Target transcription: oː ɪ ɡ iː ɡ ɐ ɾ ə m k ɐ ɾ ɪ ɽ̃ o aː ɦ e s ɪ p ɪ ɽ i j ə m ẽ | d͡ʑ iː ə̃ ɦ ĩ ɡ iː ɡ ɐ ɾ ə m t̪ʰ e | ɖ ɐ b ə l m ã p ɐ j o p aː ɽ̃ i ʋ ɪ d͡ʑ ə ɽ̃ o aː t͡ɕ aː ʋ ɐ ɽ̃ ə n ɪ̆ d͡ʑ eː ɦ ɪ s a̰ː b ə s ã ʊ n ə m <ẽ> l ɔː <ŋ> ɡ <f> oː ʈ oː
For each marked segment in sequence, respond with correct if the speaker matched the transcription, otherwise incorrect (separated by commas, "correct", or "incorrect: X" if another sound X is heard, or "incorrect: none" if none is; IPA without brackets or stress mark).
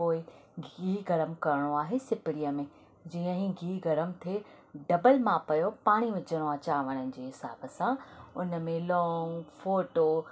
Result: correct, correct, correct